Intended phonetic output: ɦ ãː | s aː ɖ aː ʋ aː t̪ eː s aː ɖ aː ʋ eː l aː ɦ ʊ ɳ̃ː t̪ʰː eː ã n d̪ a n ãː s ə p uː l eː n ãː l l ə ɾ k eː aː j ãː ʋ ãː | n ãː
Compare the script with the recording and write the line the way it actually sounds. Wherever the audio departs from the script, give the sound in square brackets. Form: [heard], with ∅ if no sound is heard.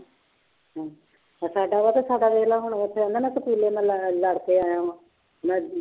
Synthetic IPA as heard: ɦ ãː | s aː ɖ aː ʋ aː t̪ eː s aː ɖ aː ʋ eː l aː ɦ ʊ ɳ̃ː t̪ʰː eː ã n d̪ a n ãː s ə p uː l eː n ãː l l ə [ɽ] k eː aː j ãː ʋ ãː | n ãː